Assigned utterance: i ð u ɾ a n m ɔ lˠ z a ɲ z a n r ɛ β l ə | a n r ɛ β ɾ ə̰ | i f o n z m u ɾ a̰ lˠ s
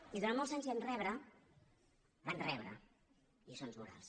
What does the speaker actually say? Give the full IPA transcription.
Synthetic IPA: i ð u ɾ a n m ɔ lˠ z a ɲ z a n r ɛ β ɾ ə | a n r ɛ β ɾ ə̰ | i s o n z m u ɾ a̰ lˠ s